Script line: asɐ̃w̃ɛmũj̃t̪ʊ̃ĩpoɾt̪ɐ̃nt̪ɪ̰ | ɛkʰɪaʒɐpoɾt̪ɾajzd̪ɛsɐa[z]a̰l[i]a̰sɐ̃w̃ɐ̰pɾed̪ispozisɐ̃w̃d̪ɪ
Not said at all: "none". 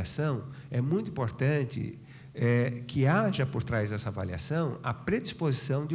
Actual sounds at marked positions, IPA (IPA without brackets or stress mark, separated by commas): v, i